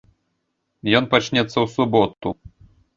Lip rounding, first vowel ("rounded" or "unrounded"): rounded